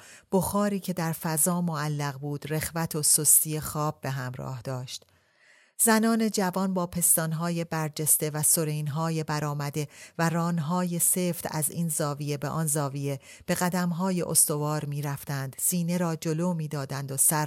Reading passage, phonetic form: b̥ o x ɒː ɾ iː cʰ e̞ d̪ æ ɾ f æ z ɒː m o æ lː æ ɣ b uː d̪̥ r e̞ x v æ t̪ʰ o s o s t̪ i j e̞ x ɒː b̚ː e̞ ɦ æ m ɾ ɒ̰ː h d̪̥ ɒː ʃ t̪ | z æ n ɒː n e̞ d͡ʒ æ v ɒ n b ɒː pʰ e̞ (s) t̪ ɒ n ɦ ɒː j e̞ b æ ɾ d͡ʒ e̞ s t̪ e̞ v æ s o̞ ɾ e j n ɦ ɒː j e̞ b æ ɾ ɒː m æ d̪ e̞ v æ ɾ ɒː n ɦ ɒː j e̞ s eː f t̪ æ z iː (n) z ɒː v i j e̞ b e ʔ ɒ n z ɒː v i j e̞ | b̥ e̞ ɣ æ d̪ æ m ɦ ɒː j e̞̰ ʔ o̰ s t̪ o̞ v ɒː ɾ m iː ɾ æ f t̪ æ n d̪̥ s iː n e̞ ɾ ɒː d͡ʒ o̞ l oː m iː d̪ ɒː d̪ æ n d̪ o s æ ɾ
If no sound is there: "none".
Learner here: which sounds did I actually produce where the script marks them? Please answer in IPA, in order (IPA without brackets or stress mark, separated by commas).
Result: s, n